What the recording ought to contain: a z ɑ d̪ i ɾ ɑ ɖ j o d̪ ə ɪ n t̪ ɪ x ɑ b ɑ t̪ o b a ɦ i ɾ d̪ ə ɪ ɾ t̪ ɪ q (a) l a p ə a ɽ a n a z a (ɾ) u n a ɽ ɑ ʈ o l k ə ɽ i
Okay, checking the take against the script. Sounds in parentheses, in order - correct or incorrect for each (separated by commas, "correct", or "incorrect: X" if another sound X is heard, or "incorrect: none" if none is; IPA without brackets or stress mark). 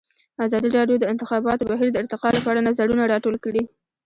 incorrect: ɑ, incorrect: ɽ